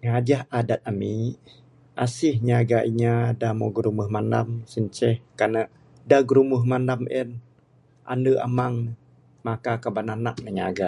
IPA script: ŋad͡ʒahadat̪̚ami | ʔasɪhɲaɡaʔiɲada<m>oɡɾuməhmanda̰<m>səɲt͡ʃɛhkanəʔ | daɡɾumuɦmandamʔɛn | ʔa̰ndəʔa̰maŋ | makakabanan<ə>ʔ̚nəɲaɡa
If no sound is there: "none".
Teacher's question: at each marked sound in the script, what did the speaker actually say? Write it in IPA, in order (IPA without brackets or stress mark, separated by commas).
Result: m, m, a